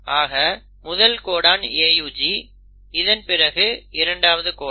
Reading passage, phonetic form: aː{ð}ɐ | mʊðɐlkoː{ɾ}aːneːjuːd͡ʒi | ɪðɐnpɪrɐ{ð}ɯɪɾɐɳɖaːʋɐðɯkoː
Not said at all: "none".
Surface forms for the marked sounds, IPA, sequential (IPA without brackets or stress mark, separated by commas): ɣ, ɽ, ɣ